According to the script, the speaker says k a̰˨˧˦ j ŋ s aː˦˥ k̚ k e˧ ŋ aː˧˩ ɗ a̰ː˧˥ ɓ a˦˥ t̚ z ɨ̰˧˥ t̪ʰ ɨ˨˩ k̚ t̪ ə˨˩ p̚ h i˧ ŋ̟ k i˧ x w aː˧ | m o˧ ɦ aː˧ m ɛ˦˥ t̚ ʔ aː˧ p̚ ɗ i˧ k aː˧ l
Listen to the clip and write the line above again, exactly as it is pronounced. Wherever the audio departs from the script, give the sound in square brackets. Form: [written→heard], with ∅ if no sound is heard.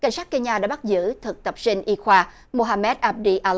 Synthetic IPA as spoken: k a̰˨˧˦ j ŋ s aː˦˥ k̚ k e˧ [ŋ→ɲ] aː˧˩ ɗ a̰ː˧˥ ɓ a˦˥ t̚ z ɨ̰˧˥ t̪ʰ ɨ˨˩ k̚ t̪ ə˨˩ p̚ [h→s] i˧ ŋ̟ [k→ʔ] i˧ x w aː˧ | m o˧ ɦ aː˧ m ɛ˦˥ t̚ ʔ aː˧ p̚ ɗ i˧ [k→ʔ] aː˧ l